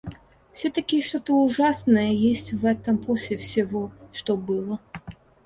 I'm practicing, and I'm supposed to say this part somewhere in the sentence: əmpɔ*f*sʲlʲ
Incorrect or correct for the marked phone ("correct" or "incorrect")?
incorrect